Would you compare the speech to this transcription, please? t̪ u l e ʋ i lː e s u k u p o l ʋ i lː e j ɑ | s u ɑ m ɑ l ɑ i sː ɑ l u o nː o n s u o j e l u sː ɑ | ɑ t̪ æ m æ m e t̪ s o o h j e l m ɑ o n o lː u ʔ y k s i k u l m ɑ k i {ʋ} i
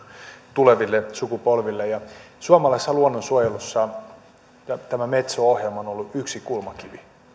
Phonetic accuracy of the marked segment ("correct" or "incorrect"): correct